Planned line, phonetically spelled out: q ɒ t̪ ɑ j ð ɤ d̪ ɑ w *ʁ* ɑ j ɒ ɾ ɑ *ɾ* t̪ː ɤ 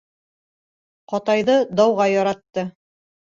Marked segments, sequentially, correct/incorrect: correct, incorrect: none

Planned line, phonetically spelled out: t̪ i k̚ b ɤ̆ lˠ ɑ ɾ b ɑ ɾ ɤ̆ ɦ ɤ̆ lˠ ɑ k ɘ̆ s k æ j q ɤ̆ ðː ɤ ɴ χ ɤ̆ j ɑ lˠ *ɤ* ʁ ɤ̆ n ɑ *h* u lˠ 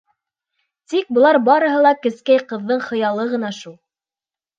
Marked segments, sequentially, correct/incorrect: correct, incorrect: ʃ

